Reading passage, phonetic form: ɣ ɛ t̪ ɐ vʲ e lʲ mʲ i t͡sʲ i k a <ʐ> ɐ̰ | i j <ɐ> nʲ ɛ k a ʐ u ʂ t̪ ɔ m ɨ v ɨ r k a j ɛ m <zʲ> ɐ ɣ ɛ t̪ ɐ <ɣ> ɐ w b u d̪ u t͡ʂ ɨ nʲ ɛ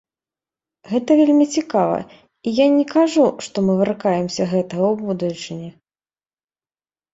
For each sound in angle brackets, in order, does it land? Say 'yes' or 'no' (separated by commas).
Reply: no, no, no, yes